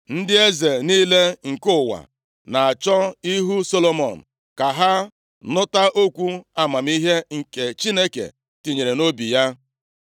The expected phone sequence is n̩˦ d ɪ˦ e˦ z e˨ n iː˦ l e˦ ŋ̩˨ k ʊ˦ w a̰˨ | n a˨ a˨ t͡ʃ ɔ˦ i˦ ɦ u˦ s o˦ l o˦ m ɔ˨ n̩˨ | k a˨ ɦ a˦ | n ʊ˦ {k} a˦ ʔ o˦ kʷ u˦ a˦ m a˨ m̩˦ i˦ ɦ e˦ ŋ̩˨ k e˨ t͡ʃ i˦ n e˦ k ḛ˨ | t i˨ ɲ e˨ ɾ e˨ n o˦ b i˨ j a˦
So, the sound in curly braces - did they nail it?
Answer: no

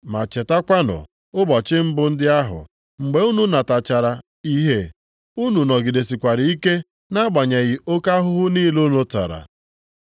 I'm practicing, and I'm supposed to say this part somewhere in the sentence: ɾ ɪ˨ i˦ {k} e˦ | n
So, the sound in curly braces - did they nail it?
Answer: yes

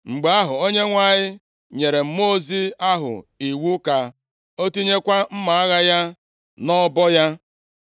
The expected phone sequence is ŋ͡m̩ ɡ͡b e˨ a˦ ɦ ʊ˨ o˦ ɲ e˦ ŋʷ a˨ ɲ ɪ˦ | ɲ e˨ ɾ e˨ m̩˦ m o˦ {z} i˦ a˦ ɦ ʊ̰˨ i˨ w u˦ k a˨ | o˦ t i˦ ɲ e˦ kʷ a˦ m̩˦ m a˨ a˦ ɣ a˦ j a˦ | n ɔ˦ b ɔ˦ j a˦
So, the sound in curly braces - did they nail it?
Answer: yes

